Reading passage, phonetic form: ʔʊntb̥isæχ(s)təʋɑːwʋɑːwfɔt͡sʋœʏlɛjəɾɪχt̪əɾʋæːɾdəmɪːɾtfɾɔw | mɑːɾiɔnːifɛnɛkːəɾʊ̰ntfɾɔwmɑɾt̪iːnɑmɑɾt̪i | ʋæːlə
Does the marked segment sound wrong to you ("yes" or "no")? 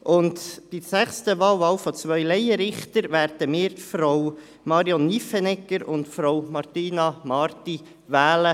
no